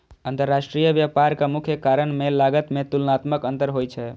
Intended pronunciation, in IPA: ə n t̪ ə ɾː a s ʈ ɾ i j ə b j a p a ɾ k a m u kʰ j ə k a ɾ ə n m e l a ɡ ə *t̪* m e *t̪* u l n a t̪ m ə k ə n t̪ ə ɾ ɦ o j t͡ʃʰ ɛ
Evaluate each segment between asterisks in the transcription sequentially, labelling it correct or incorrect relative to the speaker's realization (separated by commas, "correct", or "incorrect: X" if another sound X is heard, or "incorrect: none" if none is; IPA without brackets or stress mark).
correct, correct